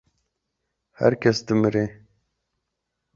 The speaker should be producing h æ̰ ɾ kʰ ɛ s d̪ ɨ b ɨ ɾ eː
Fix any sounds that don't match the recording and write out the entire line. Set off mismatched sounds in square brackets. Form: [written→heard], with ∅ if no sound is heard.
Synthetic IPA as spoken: h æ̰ ɾ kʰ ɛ s d̪ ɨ [b→m] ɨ ɾ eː